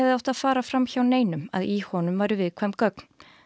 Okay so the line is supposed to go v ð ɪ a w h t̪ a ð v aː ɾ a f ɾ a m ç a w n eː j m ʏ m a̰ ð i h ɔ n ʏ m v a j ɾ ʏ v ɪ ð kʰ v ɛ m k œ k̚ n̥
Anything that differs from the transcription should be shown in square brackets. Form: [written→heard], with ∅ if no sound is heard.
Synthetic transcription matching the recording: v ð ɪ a w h t̪ a ð [v→f] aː ɾ a f ɾ a m ç a w n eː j [m→n] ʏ m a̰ ð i h ɔ n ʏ m v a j ɾ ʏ v ɪ ð kʰ v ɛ m k œ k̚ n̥